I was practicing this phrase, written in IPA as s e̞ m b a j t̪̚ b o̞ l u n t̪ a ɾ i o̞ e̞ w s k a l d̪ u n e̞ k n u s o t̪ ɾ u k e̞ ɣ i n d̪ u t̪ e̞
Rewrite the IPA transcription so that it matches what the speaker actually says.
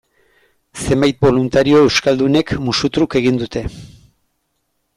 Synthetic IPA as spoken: s e̞ m b a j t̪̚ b o̞ l u n t̪ a ɾ i o̞ e̞ w s k a l d̪ u n e̞ k m u s u t̪ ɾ u k e̞ ɣ i n d̪ u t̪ e̞